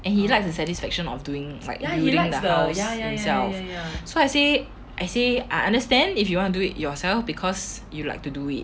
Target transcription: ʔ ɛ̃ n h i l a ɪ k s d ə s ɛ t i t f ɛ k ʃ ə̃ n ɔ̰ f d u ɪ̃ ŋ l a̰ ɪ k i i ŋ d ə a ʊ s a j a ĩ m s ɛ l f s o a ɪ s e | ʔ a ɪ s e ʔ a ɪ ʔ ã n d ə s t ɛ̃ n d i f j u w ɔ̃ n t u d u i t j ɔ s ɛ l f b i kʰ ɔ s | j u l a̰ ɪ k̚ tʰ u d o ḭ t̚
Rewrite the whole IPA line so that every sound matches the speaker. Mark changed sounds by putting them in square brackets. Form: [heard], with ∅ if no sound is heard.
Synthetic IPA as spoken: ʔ ɛ̃ n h i l a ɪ k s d ə s ɛ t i [s] f ɛ k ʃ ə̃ n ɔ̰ f d u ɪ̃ ŋ l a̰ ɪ k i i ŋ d ə a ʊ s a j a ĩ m s ɛ l f s o a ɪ s e | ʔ a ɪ s e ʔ a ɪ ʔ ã n d ə s t ɛ̃ n d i f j u w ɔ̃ n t u d u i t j ɔ s ɛ l f b i kʰ ɔ s | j u l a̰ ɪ k̚ [t] u d [u] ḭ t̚